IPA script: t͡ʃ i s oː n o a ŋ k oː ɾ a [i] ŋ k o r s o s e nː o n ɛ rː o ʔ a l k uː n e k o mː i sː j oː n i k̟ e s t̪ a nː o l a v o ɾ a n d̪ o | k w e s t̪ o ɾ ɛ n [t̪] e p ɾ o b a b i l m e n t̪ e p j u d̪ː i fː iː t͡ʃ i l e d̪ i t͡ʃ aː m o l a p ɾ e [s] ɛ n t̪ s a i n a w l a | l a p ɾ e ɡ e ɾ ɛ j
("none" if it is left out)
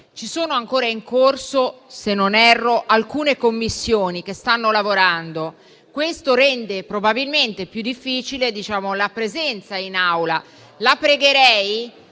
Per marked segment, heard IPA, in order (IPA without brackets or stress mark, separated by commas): i, d̪, z